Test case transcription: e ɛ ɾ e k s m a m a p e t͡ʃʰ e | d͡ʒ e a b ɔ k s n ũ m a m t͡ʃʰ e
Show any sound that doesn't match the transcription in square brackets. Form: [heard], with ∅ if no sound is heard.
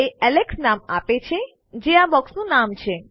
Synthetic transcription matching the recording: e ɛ [l] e k s [n] a m a p e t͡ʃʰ e | d͡ʒ e a b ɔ k s n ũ [n] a m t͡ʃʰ e